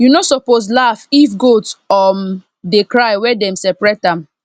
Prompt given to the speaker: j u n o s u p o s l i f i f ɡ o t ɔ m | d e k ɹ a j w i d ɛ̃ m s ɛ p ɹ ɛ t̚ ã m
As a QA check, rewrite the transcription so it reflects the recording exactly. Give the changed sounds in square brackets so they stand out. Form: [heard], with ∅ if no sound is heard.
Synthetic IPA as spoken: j u n o s [ɔ] p o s l [a] f i f ɡ o t ɔ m | d e k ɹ a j w [ɛ] d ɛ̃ m s ɛ p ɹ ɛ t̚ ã m